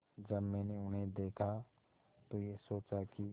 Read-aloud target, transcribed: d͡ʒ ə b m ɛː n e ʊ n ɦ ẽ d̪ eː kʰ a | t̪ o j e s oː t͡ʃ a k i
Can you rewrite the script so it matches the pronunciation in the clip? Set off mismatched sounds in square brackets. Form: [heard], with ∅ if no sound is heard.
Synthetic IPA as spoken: d͡ʒ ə b m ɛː n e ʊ n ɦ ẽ d̪ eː kʰ a | t̪ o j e s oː t͡ʃ a k i